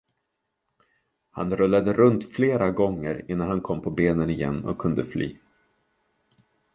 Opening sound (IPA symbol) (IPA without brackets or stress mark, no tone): h